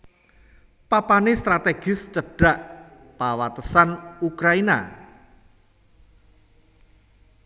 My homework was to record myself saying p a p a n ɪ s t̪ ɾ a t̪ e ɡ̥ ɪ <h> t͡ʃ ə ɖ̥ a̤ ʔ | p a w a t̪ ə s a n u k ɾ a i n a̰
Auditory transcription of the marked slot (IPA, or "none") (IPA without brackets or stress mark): s